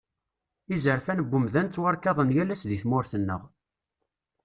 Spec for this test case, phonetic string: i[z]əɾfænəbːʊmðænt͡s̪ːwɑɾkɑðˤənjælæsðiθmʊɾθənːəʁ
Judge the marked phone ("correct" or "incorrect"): correct